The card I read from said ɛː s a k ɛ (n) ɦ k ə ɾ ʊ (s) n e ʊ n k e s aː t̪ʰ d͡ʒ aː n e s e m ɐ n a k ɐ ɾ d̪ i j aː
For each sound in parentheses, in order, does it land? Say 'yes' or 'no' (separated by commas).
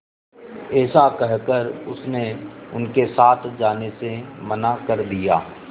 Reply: no, yes